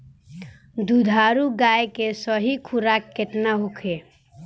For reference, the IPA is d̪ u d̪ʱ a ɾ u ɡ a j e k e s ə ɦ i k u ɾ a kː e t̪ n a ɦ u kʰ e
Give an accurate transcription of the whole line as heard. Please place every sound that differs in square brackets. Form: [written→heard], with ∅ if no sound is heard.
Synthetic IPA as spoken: d̪ u d̪ʱ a ɾ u ɡ a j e k e s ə ɦ i [k→kʰ] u ɾ a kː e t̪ n a ɦ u kʰ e